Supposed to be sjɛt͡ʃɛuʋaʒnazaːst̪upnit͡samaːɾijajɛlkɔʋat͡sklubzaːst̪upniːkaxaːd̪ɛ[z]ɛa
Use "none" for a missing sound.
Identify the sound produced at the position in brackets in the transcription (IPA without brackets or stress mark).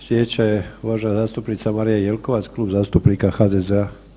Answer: z